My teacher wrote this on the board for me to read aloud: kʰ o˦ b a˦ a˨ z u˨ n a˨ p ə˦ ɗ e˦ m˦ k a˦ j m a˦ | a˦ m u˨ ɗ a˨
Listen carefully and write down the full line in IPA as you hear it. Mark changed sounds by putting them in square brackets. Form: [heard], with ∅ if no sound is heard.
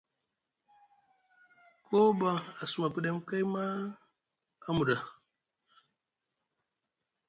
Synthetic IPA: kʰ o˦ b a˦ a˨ [s] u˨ [m] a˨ p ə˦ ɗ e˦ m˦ k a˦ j m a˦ | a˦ m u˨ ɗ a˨